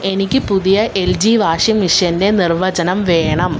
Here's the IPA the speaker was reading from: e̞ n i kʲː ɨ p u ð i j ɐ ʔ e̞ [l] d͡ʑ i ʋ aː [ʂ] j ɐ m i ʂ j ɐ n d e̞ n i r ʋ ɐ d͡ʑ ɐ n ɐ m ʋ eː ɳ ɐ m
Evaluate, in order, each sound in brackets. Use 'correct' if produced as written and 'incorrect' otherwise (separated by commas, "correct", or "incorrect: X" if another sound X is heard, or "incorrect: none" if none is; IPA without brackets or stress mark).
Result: correct, correct